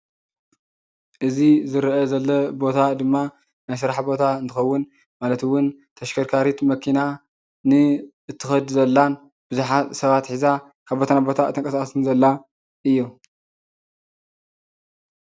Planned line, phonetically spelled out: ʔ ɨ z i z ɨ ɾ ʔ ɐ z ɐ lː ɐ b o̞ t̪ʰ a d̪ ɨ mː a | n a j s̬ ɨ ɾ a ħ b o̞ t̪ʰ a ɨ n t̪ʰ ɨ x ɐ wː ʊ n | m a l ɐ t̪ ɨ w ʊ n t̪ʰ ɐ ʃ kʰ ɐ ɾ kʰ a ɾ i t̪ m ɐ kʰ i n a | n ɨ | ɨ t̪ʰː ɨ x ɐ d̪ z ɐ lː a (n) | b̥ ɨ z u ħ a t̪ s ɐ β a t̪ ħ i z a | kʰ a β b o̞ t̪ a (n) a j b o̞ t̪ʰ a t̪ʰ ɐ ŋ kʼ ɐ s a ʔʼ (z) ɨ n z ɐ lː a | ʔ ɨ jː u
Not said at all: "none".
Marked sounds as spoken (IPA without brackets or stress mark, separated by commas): n, n, s